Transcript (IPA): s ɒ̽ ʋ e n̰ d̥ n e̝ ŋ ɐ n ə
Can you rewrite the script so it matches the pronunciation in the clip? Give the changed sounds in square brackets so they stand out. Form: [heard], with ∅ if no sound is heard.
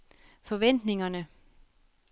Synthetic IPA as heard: [f] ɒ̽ ʋ e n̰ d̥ n e̝ ŋ ɐ n ə